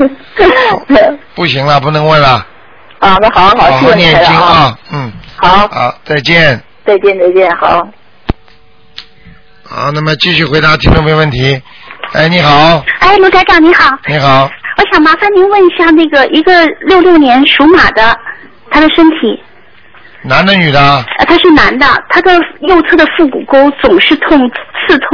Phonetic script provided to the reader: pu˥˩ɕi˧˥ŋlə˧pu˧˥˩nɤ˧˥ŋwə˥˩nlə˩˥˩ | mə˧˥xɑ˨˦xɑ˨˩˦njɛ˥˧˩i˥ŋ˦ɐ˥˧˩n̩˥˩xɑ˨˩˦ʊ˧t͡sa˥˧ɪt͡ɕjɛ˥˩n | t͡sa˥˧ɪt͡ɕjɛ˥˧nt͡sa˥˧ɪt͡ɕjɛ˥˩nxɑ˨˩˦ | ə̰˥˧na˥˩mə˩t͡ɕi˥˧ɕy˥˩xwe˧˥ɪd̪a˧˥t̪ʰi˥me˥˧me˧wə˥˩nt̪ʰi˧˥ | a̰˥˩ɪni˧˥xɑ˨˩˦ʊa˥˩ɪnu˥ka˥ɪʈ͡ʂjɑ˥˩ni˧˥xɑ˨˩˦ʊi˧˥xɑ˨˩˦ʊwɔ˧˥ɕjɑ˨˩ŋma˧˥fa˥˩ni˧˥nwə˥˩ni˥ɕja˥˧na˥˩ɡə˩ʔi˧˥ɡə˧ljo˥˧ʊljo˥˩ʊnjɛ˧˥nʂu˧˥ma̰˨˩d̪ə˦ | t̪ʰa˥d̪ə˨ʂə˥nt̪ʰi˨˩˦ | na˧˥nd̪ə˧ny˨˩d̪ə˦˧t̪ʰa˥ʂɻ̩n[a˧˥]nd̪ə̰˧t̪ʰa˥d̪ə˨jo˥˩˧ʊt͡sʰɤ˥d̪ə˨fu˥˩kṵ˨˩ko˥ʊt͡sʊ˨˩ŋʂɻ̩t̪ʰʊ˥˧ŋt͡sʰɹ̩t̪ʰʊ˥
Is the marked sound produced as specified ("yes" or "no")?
yes